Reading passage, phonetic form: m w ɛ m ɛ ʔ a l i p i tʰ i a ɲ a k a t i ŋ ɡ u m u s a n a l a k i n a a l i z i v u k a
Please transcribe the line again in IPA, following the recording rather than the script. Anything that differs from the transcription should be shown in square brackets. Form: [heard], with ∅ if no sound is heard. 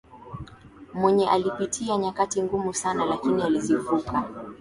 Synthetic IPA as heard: m w ɛ [ɲ] ɛ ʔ a l i p i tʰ i a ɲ a k a t i ŋ ɡ u m u s a n a l a k i n [i] a l i z i v u k a